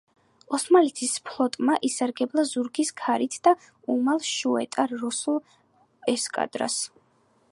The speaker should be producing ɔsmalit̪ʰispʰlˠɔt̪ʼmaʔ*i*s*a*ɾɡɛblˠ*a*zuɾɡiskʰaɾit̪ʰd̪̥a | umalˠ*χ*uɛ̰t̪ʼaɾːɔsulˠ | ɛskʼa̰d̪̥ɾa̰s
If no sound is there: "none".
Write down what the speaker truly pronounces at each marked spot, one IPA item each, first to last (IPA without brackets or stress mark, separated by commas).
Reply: i, a, a, ʃ